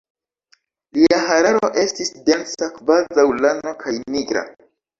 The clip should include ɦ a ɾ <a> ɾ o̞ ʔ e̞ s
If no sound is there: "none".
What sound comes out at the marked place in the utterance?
a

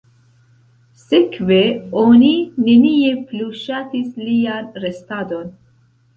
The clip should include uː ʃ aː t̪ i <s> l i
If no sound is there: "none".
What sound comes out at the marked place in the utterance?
s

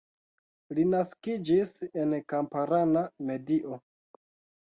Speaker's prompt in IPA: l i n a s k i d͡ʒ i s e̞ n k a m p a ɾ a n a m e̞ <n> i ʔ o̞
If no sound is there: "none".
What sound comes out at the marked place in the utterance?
d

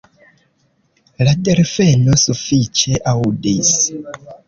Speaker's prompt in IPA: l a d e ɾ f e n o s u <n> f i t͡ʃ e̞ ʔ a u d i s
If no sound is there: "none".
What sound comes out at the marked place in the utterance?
none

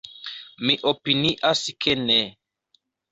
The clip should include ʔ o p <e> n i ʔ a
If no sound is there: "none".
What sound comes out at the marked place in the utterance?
i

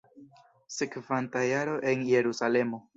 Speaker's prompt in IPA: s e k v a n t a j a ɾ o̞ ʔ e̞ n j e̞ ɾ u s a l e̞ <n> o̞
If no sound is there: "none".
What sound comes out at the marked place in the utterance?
m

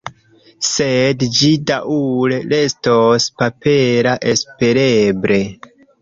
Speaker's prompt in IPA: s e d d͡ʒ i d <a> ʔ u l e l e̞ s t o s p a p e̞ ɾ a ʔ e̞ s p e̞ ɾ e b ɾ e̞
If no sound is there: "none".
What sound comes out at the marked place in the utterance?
a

